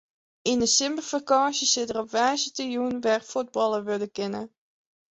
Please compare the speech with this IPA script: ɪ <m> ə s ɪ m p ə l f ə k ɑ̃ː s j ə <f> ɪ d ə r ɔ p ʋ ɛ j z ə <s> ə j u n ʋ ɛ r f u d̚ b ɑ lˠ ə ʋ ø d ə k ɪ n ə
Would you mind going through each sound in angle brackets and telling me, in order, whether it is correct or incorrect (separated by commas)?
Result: incorrect, incorrect, incorrect